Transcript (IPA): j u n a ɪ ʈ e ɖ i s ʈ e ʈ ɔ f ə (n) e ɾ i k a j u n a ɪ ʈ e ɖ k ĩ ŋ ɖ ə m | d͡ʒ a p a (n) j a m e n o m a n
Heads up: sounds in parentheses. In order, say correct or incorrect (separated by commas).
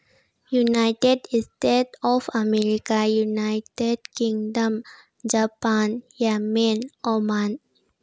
incorrect, correct